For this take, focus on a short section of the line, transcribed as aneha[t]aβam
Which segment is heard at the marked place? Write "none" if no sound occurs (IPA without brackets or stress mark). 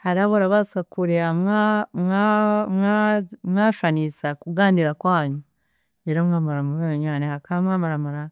k